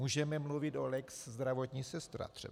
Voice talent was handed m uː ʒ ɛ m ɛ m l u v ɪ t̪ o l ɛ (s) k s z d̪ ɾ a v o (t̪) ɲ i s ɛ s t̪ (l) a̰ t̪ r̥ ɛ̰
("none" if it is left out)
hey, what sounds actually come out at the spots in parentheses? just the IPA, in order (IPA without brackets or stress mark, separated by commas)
none, t̪, ɾ